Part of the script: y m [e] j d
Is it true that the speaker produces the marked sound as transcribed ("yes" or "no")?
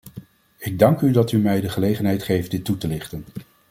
no